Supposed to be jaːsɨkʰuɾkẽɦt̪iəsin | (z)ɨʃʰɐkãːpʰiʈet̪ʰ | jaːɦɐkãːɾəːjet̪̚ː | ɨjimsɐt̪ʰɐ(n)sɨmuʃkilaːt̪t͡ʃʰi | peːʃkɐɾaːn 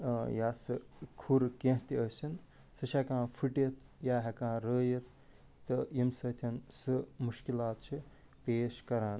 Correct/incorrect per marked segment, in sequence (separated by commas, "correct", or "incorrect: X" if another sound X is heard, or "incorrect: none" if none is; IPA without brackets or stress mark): incorrect: s, correct